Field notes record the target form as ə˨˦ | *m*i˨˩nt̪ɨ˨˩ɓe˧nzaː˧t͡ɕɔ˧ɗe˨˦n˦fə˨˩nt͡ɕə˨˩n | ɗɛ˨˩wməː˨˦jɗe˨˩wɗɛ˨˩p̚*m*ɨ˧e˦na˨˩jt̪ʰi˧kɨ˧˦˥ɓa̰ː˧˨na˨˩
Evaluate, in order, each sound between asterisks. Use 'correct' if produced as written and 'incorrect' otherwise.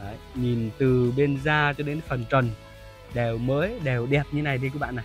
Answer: incorrect, incorrect

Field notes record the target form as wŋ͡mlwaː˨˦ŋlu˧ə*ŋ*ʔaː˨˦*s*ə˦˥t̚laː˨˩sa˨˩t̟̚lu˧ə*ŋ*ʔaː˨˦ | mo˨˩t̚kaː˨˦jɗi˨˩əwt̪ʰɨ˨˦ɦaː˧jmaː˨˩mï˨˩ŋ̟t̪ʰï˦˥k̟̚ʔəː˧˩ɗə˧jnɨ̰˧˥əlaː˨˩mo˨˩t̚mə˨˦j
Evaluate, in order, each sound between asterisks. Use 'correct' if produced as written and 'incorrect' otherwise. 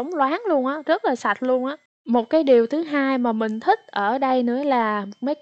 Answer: incorrect, incorrect, incorrect

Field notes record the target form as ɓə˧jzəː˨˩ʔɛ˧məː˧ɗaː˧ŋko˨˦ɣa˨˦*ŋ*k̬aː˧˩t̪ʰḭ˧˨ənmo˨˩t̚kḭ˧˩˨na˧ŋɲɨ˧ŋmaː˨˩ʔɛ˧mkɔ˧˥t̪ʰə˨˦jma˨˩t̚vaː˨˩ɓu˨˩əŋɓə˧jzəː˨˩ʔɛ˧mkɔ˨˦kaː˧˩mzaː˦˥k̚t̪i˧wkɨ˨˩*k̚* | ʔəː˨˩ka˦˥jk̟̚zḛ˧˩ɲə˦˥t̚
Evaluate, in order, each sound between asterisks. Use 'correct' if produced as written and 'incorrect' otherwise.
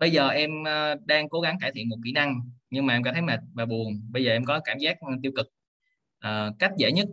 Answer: correct, correct

